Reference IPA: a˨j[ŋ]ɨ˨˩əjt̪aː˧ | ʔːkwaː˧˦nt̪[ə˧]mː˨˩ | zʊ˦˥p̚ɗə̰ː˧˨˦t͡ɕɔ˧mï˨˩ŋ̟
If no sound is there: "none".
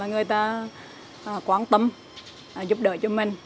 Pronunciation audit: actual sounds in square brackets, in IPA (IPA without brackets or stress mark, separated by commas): ŋ, ə˧